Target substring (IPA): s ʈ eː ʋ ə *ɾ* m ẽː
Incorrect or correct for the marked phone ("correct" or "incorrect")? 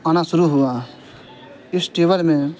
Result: incorrect